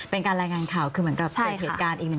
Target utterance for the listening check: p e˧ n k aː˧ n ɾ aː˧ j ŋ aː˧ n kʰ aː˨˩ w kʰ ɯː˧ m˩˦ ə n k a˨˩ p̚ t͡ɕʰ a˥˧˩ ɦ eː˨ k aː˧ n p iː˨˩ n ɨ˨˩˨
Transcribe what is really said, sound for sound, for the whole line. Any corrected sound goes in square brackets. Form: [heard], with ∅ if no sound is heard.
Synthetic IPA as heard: p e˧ n k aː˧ n ɾ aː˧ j ŋ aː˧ n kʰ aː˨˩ w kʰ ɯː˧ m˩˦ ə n k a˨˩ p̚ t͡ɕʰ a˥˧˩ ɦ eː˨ k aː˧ n [ʔ] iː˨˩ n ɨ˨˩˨